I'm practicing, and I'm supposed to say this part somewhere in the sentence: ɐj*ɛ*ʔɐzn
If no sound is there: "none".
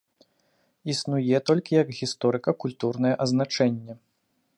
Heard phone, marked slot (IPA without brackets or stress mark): ɛ